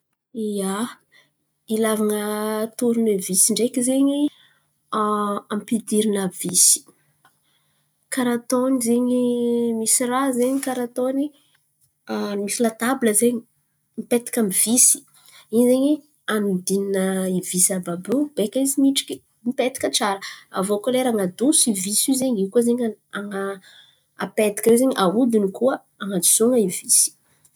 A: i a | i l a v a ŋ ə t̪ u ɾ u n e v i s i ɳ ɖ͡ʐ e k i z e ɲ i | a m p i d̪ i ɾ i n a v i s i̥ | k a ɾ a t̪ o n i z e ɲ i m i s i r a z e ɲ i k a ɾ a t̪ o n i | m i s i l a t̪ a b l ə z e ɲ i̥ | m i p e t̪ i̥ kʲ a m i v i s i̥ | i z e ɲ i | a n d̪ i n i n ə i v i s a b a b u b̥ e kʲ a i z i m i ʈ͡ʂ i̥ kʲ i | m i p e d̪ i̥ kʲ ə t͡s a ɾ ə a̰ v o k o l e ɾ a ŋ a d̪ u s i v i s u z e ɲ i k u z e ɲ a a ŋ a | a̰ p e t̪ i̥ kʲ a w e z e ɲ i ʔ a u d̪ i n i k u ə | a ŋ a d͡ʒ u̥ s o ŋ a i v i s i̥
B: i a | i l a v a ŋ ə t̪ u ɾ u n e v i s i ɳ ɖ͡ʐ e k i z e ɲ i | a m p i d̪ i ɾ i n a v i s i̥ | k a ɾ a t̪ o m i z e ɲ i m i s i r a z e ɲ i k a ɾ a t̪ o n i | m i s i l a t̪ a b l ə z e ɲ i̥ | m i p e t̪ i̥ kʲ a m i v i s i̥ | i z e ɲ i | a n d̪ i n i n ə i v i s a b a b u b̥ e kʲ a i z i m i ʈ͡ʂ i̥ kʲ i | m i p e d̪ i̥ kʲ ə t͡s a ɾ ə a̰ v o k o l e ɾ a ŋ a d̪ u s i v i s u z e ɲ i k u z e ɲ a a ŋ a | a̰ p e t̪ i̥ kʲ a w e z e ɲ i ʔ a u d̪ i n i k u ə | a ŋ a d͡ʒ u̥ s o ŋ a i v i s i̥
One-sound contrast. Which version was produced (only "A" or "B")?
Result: A